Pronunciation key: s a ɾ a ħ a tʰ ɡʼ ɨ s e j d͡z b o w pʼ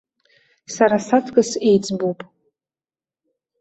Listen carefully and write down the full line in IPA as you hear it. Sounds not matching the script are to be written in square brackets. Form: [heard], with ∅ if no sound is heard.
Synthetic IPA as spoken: s a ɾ a [s] a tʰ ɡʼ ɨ s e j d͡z b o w pʼ